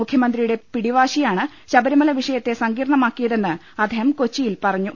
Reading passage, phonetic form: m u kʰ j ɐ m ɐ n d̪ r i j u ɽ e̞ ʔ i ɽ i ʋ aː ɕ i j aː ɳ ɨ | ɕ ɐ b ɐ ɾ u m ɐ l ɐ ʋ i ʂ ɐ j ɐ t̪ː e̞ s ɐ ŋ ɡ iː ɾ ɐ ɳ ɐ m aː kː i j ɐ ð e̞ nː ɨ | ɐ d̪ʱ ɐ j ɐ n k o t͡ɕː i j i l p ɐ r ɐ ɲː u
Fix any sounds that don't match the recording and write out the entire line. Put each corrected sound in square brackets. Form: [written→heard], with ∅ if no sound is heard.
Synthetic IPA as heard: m u kʰ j ɐ m ɐ n d̪ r i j u ɽ e̞ [ʔ→p] i ɽ i ʋ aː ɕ i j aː ɳ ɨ | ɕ ɐ b ɐ ɾ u m ɐ l ɐ ʋ i ʂ ɐ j ɐ t̪ː e̞ s ɐ ŋ ɡ iː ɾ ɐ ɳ ɐ m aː kː i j ɐ ð e̞ nː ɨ | ɐ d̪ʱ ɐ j ɐ [n→m] k o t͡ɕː i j i l p ɐ r ɐ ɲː u